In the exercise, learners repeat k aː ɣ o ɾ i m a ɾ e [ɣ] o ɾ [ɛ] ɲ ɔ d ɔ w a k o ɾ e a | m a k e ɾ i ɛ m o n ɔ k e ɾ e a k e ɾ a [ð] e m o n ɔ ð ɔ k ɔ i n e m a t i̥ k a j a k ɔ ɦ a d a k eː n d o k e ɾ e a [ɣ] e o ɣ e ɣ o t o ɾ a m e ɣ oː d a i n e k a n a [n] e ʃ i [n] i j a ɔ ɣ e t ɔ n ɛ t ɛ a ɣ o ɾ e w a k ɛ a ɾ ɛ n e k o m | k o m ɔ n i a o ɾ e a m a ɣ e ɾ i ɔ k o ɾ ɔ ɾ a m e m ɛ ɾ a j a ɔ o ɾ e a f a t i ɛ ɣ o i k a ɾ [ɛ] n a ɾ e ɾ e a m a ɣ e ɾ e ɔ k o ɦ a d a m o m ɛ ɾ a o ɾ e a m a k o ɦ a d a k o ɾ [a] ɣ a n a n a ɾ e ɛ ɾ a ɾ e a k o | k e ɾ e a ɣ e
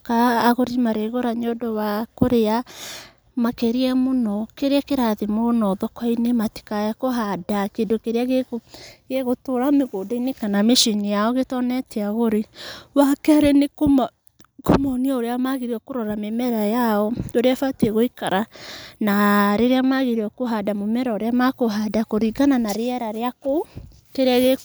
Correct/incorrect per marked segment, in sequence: correct, incorrect: a, correct, correct, incorrect: m, correct, incorrect: a, incorrect: i

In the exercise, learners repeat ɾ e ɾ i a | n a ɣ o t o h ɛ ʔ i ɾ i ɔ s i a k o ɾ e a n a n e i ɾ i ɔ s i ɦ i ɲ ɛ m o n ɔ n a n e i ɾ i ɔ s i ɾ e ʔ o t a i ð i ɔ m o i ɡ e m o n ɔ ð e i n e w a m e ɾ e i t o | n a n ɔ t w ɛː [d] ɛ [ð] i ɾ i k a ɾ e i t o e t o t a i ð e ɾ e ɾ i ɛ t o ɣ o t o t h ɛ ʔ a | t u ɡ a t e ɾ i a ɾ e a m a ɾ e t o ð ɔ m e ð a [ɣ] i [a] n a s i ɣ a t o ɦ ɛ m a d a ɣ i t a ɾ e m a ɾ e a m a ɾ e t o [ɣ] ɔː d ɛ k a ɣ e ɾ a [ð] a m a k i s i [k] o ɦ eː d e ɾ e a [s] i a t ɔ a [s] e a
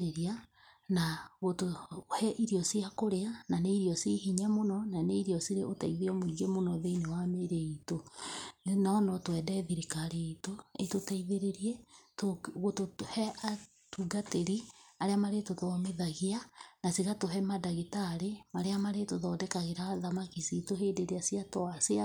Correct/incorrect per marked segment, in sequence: correct, correct, correct, correct, incorrect: ð, correct, incorrect: t, correct, correct

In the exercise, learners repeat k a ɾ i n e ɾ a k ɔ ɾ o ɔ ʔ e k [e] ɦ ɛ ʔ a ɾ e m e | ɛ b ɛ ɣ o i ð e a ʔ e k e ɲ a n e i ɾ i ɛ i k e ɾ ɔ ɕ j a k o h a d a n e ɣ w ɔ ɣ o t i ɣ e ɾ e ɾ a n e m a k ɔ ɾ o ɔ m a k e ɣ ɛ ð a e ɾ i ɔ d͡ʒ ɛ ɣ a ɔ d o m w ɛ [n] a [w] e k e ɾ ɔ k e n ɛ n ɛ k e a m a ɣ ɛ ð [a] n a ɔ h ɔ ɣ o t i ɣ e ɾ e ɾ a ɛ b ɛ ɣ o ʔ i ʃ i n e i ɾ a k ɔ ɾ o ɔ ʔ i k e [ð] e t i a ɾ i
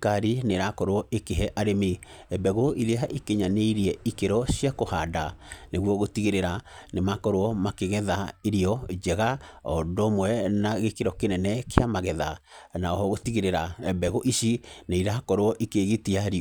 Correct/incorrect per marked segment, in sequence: correct, correct, incorrect: ɣ, correct, incorrect: ɣ

